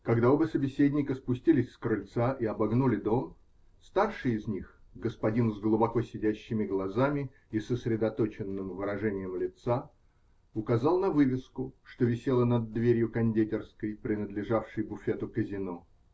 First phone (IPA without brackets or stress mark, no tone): k